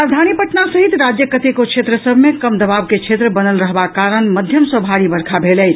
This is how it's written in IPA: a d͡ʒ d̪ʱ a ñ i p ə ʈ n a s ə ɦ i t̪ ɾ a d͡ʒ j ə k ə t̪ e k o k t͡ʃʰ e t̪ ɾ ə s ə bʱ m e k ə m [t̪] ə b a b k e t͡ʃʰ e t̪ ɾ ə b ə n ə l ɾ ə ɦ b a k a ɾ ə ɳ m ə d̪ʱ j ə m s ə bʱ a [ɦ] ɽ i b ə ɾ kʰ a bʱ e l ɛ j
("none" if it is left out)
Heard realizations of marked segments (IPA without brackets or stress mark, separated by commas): d̪, none